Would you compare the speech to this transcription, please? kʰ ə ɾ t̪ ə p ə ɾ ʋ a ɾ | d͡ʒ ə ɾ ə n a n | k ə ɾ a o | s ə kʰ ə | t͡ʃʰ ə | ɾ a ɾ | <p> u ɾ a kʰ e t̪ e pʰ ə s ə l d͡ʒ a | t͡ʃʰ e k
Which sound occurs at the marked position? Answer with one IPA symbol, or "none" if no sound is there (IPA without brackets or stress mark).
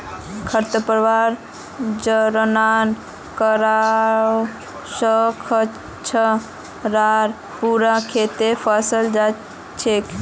p